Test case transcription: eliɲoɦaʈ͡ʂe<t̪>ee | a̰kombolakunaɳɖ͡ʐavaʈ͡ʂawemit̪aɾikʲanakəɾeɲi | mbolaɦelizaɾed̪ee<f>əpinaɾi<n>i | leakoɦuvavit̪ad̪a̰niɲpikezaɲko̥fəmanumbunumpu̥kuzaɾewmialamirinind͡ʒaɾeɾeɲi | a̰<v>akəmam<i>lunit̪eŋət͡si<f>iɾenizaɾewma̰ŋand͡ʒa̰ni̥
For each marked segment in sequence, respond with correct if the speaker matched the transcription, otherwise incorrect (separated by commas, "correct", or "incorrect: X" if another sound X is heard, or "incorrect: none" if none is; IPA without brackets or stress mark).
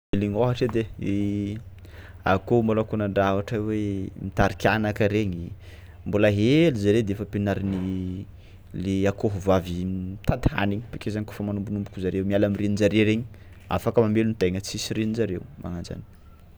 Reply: incorrect: d̪, correct, correct, incorrect: f, incorrect: e, incorrect: s